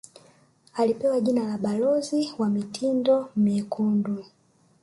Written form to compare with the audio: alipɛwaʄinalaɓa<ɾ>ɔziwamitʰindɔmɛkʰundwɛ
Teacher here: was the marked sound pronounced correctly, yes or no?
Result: no